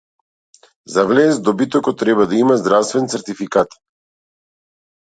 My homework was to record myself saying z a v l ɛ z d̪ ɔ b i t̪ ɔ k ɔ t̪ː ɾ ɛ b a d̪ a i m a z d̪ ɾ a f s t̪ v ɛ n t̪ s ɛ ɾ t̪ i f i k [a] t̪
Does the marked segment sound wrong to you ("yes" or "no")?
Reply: no